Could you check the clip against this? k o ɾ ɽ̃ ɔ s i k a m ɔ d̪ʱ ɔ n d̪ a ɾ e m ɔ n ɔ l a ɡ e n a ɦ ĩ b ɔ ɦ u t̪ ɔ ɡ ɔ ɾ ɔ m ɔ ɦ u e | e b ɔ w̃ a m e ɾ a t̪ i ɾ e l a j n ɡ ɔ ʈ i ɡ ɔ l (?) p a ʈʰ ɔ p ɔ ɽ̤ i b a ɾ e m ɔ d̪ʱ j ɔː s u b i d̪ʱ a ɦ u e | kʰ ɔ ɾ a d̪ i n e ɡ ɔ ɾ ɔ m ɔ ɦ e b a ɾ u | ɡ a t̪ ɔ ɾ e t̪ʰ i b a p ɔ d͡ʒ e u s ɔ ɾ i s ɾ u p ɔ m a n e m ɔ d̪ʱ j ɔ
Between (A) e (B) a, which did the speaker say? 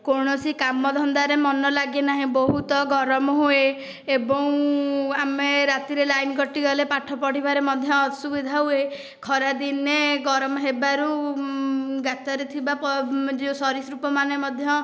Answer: A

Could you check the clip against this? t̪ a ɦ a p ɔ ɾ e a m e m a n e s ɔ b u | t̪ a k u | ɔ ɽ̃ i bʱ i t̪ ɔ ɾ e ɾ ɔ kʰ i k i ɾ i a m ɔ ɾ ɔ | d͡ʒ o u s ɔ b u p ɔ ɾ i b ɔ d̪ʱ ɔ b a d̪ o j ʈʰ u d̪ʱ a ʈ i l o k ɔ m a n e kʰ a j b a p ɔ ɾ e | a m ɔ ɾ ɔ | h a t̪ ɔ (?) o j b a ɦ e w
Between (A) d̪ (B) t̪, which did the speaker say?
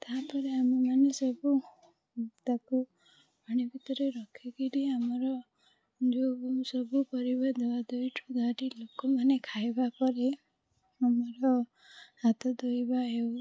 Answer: A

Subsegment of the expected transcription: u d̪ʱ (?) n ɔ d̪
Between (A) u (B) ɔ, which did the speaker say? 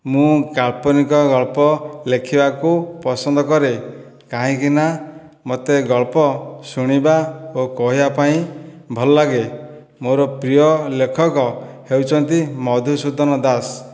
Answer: B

